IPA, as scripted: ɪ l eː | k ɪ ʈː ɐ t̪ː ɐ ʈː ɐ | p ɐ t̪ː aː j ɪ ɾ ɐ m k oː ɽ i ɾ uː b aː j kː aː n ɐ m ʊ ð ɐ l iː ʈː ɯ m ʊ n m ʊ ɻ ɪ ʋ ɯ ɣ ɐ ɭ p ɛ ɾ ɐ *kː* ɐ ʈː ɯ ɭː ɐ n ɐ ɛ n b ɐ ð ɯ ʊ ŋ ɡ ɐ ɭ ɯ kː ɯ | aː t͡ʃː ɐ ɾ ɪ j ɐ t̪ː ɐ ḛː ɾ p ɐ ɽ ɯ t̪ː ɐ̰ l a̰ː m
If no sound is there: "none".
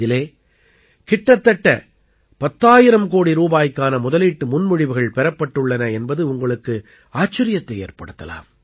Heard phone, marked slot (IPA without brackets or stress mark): pː